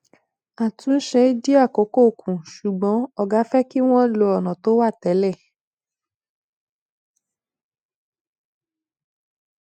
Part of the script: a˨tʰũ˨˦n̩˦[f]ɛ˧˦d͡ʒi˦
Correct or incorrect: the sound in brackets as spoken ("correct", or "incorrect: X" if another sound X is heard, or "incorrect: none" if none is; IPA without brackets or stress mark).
incorrect: ʃ